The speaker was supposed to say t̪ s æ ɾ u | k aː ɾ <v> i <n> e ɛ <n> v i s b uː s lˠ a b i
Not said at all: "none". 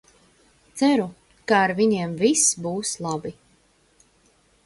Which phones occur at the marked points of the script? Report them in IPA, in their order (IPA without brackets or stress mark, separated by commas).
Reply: v, ɲ, m